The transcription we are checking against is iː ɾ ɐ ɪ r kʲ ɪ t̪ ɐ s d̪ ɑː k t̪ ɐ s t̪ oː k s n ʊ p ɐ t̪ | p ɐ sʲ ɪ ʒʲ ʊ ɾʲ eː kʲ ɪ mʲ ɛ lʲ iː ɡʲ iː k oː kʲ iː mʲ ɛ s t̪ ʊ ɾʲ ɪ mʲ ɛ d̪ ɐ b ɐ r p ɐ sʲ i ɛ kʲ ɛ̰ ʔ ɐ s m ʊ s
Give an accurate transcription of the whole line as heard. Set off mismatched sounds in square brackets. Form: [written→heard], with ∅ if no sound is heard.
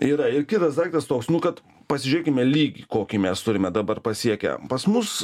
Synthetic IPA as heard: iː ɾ ɐ ɪ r kʲ ɪ t̪ ɐ s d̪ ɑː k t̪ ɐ s t̪ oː k s n ʊ [p→k] ɐ t̪ | p ɐ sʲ ɪ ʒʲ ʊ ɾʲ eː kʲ ɪ mʲ ɛ lʲ iː ɡʲ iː k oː kʲ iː mʲ ɛ s t̪ ʊ ɾʲ ɪ mʲ ɛ d̪ ɐ b ɐ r p ɐ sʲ i ɛ kʲ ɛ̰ [ʔ→p] ɐ s m ʊ s